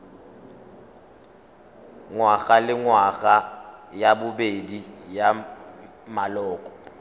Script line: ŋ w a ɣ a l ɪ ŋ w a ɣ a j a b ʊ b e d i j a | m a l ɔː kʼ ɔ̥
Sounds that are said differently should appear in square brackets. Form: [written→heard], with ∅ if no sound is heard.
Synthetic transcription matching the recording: ŋ w a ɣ a l ɪ ŋ w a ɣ a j a b ʊ b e d i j a | m a l ɔː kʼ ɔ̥